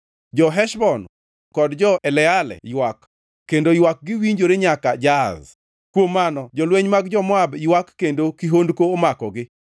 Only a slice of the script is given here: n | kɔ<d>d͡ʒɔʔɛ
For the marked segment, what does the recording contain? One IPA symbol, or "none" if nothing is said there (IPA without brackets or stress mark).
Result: d